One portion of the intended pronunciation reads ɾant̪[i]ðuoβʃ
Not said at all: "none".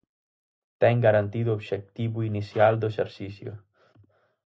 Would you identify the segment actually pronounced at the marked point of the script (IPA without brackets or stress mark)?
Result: i